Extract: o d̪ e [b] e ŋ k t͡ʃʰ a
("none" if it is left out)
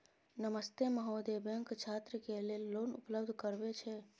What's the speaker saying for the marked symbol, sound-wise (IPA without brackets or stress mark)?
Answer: b